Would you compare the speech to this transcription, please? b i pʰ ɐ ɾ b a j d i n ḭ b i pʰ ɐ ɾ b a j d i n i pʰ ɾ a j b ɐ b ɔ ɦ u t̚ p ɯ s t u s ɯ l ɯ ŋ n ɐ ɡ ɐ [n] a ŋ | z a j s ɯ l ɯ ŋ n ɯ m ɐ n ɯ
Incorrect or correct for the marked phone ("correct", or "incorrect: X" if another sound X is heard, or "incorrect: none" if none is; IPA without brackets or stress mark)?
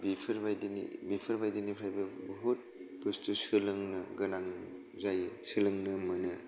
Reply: correct